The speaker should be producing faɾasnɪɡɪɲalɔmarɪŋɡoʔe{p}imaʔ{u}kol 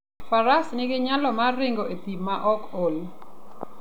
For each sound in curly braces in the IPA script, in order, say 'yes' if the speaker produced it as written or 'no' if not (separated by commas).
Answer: yes, no